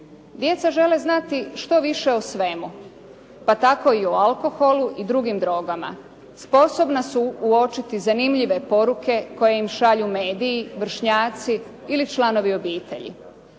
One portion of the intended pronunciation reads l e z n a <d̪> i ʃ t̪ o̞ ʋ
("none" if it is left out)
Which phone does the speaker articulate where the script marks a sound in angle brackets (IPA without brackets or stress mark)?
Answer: t̪